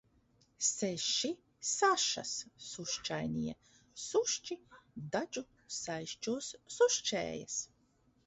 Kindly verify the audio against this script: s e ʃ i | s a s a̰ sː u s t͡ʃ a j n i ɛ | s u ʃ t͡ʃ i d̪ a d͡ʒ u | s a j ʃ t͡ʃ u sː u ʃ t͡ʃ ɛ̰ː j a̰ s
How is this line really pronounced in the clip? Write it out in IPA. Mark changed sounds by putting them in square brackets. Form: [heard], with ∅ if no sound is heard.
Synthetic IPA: s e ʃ i | s a [ʃ] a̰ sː u [ʃ] t͡ʃ a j n i ɛ | s u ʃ t͡ʃ i d̪ a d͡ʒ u | s a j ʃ t͡ʃ u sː u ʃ t͡ʃ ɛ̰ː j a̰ s